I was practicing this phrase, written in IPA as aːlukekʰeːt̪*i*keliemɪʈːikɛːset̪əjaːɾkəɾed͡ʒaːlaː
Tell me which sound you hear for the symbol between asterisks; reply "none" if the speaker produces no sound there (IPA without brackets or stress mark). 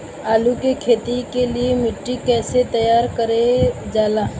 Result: i